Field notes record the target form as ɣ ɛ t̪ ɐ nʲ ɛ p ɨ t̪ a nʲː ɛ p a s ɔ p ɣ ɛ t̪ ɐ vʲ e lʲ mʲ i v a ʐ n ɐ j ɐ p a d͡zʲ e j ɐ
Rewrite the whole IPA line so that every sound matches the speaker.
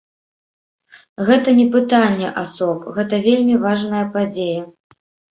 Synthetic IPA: ɣ ɛ t̪ ɐ nʲ ɛ p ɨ t̪ a nʲː ɛ ʔ a s ɔ p ɣ ɛ t̪ ɐ vʲ e lʲ mʲ i v a ʐ n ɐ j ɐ p a d͡zʲ e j ɐ